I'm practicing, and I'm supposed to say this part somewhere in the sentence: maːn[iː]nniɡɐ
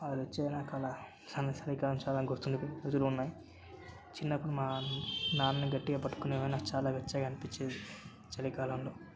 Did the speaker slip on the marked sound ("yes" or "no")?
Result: yes